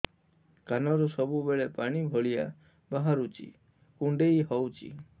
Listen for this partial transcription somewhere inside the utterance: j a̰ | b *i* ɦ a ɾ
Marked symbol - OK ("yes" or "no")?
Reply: no